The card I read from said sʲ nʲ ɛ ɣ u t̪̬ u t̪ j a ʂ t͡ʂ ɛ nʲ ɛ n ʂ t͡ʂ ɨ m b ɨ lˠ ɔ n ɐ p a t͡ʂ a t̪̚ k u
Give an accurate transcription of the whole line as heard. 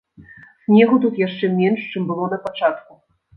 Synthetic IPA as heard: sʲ nʲ ɛ ɣ u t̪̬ u t̪ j a ʂ t͡ʂ ɛ mʲ ɛ n ʂ t͡ʂ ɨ m b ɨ lˠ ɔ n ɐ p a t͡ʂ a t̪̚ k u